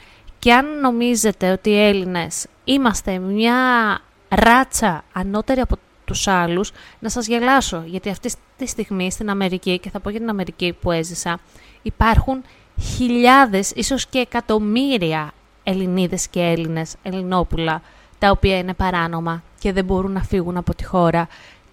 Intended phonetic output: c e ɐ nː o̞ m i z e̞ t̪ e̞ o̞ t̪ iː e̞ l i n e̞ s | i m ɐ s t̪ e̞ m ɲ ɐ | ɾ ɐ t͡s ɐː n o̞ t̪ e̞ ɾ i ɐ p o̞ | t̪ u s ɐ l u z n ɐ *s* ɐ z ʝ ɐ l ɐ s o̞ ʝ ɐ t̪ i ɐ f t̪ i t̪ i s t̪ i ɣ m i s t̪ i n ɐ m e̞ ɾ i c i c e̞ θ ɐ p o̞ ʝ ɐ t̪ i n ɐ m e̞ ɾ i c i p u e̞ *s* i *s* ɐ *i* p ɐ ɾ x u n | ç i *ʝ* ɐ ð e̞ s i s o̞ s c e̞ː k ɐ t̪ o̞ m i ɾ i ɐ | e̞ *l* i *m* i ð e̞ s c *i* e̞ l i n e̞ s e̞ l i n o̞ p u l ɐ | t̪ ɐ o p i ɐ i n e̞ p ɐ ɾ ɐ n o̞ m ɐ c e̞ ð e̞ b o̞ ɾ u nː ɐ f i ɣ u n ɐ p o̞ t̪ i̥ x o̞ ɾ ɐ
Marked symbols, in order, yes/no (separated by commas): yes, no, yes, yes, no, yes, no, no